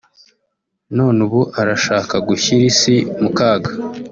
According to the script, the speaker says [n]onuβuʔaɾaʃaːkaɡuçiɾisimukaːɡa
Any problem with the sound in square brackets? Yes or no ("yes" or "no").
no